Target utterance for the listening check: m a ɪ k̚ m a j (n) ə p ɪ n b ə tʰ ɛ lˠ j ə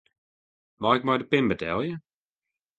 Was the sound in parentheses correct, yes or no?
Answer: no